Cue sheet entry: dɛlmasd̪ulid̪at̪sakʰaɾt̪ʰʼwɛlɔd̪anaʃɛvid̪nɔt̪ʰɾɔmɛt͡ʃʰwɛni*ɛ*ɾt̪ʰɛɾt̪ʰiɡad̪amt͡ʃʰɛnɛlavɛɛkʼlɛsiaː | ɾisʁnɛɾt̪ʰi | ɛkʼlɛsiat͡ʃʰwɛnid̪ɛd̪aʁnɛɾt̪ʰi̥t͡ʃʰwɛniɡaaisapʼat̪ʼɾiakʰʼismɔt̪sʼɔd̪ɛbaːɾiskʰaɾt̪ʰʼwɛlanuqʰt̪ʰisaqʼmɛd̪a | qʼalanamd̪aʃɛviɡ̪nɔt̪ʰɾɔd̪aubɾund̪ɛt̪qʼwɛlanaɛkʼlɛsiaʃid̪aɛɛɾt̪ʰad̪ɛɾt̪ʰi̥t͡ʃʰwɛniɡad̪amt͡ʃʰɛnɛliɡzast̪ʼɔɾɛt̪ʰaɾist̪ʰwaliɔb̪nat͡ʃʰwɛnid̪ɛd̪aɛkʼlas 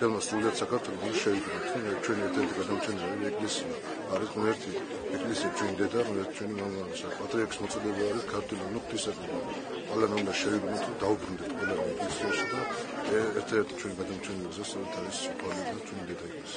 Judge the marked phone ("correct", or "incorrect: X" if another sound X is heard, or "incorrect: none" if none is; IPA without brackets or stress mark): correct